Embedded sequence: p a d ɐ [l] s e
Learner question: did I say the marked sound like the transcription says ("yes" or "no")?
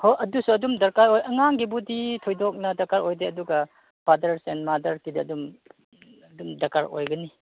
no